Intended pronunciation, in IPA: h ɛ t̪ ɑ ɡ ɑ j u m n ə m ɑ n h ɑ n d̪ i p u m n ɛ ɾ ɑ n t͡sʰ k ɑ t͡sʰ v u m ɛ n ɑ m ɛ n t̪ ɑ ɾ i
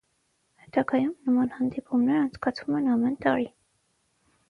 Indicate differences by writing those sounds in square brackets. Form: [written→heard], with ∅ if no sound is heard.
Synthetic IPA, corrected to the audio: h ɛ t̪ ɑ ɡ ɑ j u m n ə m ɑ n h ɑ n d̪ i p u m n ɛ ɾ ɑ n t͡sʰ k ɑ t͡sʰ v u m ɛ n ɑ m ɛ n t̪ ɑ ɾ i

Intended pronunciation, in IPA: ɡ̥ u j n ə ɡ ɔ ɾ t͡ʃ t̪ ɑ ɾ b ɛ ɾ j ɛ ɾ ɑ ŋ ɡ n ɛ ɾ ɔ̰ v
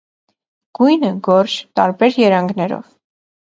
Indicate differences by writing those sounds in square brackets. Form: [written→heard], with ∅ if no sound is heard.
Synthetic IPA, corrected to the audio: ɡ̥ u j n ə ɡ ɔ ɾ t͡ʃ t̪ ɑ ɾ b ɛ ɾ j ɛ ɾ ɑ ŋ ɡ n ɛ ɾ ɔ̰ v

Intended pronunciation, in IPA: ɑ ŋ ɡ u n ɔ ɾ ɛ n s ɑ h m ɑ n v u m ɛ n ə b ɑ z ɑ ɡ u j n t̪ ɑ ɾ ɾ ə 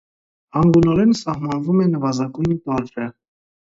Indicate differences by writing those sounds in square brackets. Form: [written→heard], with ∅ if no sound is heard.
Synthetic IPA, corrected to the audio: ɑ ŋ ɡ u n ɔ ɾ ɛ n s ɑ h m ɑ n v u m ɛ n ə [b→v] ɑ z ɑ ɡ u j n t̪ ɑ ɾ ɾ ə

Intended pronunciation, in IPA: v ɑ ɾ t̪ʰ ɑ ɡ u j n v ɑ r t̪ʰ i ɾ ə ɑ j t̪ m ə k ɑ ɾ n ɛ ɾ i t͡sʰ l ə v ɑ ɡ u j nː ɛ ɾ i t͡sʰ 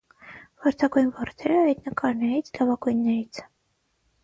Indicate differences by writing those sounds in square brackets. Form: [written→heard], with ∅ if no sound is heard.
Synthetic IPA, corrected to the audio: v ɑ ɾ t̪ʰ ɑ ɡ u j n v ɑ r t̪ʰ [i→ɛ] ɾ ə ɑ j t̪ [m→n] ə k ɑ ɾ n ɛ ɾ i t͡sʰ l [ə→ɑ] v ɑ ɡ u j nː ɛ ɾ i t͡sʰ

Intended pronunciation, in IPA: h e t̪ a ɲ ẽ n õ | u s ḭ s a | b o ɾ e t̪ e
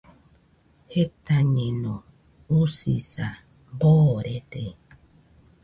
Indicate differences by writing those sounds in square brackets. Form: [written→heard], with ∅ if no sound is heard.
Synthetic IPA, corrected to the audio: h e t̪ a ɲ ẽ n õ | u s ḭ s a | b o ɾ e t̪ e

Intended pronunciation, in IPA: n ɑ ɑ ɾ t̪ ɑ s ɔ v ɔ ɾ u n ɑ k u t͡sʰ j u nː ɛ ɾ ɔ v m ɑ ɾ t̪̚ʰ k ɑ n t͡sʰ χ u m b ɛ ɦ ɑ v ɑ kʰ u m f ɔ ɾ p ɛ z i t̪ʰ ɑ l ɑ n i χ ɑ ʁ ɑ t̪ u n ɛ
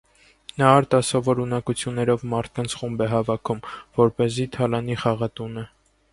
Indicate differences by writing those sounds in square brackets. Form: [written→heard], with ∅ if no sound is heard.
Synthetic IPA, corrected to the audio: n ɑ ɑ ɾ t̪ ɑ s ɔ v ɔ ɾ u n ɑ k u t͡sʰ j u nː ɛ ɾ ɔ v m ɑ ɾ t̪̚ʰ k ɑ n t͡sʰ χ u m b ɛ ɦ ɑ v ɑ kʰ u m [f→v] ɔ ɾ p ɛ z i t̪ʰ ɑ l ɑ n i χ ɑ ʁ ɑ t̪ u n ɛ

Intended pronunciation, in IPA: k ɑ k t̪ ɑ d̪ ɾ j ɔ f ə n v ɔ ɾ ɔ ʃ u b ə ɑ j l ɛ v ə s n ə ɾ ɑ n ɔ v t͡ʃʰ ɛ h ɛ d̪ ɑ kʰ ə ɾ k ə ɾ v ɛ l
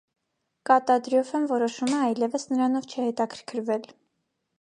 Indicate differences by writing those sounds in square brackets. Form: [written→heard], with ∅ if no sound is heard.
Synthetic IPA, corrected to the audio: k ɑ [k→∅] t̪ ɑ d̪ ɾ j ɔ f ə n v ɔ ɾ ɔ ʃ u [b→m] ə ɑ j l ɛ v ə s n ə ɾ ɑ n ɔ v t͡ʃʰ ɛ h ɛ [d̪→t̪] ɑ kʰ ə ɾ [k→kʰ] ə ɾ v ɛ l

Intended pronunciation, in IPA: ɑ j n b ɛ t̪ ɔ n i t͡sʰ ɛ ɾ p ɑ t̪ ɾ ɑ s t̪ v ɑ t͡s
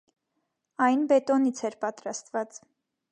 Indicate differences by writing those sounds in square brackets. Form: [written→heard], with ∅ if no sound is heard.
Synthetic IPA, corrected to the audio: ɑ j n b ɛ t̪ ɔ n i t͡sʰ ɛ ɾ p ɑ t̪ ɾ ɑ s t̪ v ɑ t͡s

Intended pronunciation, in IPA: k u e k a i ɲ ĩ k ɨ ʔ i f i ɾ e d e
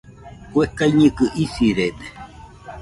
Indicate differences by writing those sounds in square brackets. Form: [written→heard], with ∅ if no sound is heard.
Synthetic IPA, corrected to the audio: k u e k a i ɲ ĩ k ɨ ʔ i [f→s] i ɾ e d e

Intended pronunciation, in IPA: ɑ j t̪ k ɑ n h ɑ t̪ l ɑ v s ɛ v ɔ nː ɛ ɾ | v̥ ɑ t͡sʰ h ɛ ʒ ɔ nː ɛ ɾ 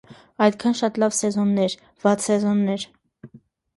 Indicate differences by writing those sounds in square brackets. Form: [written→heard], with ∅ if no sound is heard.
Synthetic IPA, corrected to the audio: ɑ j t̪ [k→kʰ] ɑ n [h→ʃ] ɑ t̪ l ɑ v s ɛ [v→z] ɔ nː ɛ ɾ | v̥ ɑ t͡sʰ [h→s] ɛ [ʒ→z] ɔ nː ɛ ɾ

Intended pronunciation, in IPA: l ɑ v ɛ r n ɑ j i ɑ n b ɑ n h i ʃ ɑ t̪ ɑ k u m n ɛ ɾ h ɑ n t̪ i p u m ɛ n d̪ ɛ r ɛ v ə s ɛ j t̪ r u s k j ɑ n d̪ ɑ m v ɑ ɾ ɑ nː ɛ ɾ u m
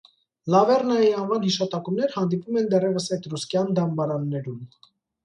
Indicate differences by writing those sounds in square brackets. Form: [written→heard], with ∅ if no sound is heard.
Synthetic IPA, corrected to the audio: l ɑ v ɛ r n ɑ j i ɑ n [b→v] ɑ n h i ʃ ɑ t̪ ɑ k u m n ɛ ɾ h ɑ n [t̪→d̪] i p u m ɛ n d̪ ɛ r ɛ v ə s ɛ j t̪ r u s k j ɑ n d̪ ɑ m [v→b] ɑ ɾ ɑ nː ɛ ɾ u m

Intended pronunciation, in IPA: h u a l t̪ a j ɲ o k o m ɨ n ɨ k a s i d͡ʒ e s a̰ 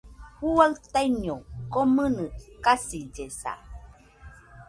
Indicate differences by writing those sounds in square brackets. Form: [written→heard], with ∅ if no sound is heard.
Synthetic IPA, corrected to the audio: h u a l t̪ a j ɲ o k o m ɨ n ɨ k a s i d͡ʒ e s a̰

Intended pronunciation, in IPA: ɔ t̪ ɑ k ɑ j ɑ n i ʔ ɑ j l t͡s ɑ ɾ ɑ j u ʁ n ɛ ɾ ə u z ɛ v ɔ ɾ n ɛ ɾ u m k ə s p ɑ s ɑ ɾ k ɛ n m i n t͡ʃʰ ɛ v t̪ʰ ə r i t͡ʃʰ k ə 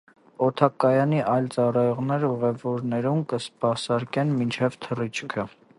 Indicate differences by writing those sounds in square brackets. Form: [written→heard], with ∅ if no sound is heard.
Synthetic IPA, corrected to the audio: ɔ [t̪→t̪ʰ] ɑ k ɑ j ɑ n i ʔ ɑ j l t͡s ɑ [ɾ→r] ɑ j [u→ɔ] ʁ n ɛ ɾ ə u [z→ʁ] ɛ v ɔ ɾ n ɛ ɾ u m k ə s p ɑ s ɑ ɾ k ɛ n m i n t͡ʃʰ ɛ v t̪ʰ ə r i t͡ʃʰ [k→kʰ] ə

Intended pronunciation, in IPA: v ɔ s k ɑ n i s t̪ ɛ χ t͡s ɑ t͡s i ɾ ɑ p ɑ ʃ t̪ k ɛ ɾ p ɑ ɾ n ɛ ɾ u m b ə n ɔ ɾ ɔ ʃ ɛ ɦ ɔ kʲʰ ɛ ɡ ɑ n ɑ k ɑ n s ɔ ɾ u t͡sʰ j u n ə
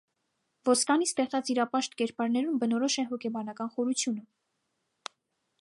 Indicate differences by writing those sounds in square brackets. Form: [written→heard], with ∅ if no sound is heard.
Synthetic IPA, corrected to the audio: v ɔ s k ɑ n i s t̪ ɛ χ t͡s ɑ t͡s i ɾ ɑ p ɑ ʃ t̪ k ɛ ɾ p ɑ ɾ n ɛ ɾ u m b ə n ɔ ɾ ɔ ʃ ɛ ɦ ɔ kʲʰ ɛ [ɡ→b] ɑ n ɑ k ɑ n [s→χ] ɔ ɾ u t͡sʰ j u n ə

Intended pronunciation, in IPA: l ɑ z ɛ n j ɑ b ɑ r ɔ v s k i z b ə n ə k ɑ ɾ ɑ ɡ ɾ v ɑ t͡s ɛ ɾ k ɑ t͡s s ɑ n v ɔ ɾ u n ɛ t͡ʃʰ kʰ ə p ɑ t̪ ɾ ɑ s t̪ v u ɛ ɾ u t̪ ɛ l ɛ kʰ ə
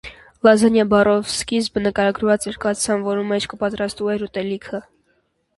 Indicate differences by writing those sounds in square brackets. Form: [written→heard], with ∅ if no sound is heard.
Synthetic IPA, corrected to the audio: l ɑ z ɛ n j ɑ b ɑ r ɔ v s k i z b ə n ə k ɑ ɾ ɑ ɡ ɾ v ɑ t͡s ɛ ɾ k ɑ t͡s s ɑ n v ɔ ɾ u [n→m] ɛ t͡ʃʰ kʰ ə p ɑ t̪ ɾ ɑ s t̪ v u ɛ ɾ u t̪ ɛ l [ɛ→i] kʰ ə

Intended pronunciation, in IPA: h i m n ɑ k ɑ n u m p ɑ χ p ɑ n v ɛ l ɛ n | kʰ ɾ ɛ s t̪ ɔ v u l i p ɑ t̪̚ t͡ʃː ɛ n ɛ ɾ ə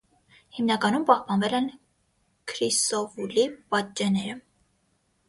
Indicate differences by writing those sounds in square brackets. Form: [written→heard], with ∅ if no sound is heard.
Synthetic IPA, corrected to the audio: h i m n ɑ k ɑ n u m p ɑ [χ→h] p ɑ n v ɛ l ɛ n | kʰ ɾ [ɛ→i] s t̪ ɔ v u l i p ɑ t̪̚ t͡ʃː ɛ n ɛ ɾ ə

